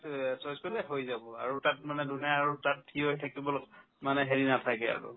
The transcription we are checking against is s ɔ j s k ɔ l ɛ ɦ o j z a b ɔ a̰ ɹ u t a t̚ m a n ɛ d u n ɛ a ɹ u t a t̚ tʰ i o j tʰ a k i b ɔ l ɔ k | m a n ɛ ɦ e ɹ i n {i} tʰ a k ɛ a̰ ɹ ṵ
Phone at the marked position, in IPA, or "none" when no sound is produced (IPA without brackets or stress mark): a